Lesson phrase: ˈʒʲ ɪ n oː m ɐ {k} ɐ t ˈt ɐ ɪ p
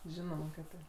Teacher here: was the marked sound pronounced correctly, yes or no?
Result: yes